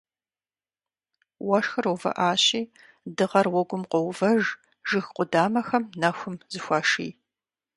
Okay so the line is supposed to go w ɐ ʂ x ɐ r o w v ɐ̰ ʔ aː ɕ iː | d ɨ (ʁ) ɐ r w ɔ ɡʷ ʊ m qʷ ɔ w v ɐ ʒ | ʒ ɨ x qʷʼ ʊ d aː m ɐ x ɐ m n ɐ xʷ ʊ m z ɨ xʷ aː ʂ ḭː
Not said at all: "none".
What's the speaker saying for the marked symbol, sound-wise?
ʁ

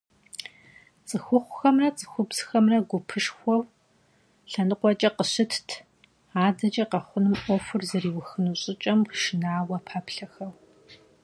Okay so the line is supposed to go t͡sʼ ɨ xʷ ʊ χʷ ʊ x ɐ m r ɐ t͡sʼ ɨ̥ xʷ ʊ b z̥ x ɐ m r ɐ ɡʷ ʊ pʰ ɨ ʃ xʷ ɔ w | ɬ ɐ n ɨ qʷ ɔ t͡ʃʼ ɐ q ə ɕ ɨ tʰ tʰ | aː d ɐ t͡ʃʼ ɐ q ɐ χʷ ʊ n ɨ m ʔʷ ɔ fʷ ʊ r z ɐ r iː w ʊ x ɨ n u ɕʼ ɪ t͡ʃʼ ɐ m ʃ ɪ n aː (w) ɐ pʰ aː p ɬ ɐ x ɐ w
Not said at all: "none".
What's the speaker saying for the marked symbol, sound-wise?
w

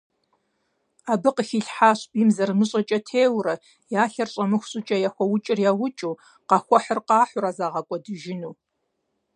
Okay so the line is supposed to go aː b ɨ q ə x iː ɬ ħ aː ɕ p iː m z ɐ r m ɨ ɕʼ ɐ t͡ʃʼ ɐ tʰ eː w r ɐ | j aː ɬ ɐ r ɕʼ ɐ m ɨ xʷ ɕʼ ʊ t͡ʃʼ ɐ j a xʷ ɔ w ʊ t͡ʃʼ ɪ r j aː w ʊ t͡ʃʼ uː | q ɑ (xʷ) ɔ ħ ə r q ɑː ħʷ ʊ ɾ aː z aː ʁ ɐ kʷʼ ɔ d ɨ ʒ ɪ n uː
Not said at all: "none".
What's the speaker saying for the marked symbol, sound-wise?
xʷ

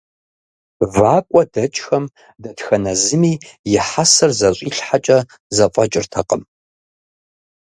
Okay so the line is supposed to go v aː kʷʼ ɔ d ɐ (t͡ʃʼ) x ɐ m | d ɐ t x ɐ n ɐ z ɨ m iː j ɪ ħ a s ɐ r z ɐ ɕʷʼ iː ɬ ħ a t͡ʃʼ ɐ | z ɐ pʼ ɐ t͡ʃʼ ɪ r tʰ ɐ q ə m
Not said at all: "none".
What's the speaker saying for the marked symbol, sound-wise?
t͡ʃʼ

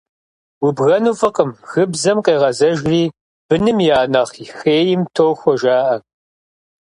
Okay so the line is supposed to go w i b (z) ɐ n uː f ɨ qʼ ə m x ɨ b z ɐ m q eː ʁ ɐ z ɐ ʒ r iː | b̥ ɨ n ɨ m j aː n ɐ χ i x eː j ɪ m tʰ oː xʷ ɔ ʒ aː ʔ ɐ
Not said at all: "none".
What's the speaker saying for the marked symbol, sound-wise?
ɣ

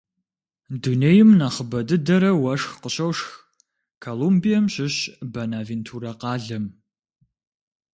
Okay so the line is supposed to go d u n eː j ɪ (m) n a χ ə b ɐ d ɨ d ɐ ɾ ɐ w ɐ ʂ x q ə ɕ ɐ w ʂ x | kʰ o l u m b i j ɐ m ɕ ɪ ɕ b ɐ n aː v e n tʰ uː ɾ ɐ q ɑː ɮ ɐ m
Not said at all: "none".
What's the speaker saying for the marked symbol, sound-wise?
m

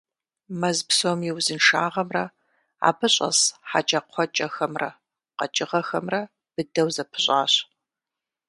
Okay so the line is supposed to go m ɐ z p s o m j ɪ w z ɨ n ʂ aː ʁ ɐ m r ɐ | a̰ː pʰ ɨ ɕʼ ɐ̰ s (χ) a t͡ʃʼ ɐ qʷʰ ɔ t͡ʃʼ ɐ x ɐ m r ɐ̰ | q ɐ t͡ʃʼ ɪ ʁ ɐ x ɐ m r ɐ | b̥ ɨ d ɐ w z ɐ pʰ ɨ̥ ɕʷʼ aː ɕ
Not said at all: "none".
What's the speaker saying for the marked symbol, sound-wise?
ħ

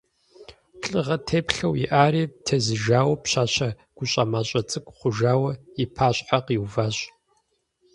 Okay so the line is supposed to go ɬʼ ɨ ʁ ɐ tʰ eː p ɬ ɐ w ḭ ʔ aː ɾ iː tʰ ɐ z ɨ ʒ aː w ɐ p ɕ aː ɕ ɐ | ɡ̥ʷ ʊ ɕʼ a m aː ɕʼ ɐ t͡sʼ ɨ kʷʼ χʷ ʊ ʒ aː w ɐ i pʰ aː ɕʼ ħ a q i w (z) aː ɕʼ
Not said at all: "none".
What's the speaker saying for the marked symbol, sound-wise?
v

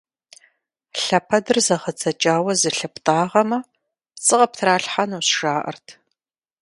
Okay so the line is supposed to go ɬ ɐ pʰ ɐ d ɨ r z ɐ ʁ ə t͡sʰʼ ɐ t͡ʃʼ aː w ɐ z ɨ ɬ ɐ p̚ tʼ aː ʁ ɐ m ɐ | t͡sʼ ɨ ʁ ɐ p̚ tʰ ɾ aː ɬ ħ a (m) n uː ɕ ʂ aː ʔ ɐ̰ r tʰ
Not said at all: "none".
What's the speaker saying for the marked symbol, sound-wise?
none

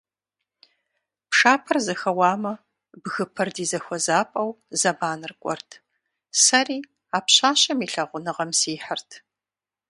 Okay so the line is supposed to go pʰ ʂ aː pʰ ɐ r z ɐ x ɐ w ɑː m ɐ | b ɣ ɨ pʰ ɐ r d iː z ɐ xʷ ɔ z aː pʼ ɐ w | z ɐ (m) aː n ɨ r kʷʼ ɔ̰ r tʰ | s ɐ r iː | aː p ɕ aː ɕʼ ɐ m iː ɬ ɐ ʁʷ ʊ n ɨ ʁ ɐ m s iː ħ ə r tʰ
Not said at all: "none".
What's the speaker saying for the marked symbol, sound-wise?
b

